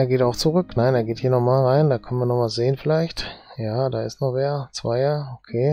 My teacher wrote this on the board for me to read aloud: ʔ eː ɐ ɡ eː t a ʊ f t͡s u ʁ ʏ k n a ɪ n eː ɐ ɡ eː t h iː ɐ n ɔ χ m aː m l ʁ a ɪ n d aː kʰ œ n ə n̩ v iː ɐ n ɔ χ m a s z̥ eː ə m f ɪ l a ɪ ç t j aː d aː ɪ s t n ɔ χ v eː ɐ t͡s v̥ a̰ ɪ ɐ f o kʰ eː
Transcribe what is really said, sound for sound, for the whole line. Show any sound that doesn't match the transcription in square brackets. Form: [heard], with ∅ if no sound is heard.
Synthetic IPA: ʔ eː ɐ ɡ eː t a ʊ [x] t͡s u ʁ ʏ k n a ɪ n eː ɐ ɡ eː t h iː ɐ n ɔ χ m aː [∅] l ʁ a ɪ n d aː kʰ œ n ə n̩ v iː ɐ n ɔ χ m a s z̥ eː ə [n] f ɪ l a ɪ ç t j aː d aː ɪ s t n ɔ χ v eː ɐ t͡s v̥ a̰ ɪ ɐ [∅] o kʰ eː

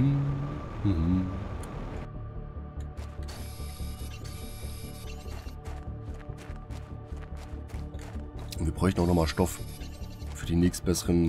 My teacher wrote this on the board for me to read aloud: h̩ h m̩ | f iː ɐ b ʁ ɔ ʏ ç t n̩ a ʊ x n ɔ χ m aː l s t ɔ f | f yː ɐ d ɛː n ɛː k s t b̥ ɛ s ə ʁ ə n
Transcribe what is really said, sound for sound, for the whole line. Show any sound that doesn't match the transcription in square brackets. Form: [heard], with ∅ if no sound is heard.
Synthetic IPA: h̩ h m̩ | [v] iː ɐ b ʁ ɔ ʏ ç t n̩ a ʊ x n ɔ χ m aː l [ʃ] t ɔ f | f yː ɐ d [iː] n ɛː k s t b̥ ɛ s ə ʁ ə n

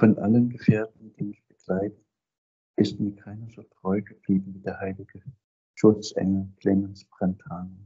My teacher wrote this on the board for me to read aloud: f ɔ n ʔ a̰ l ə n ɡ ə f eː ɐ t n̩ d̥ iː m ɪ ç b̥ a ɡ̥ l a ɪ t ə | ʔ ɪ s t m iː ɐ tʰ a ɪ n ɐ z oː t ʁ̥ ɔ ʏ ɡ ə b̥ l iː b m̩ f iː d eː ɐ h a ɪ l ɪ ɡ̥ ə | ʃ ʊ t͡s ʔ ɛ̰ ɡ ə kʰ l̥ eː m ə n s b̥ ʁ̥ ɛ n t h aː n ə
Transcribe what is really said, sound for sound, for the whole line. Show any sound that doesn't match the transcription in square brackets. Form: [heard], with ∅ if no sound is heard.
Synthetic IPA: f ɔ n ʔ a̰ l ə n ɡ ə f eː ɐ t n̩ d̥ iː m ɪ ç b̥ [ə] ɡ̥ l a ɪ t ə | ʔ ɪ s t m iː ɐ [kʰ] a ɪ n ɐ z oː t ʁ̥ ɔ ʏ ɡ ə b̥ l iː b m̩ [v] iː d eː ɐ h a ɪ l ɪ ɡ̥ ə | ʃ ʊ t͡s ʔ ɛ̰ [ŋ] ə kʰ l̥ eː m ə n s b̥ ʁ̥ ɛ n t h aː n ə

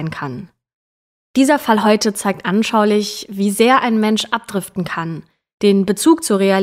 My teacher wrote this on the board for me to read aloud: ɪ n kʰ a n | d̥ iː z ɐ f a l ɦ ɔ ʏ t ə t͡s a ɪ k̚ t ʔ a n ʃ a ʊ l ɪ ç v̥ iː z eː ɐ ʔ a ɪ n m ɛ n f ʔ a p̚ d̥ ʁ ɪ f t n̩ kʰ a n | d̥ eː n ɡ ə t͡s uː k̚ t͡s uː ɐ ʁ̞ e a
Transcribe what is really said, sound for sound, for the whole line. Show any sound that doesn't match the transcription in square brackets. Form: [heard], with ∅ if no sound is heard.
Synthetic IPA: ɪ n kʰ a n | d̥ iː z ɐ f a l ɦ ɔ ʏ t ə t͡s a ɪ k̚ t ʔ a n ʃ a ʊ l ɪ ç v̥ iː z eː ɐ ʔ a ɪ n m ɛ n [ʃ] ʔ a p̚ d̥ ʁ ɪ f t n̩ kʰ a n | d̥ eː n [b] ə t͡s uː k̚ t͡s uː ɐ ʁ̞ e a

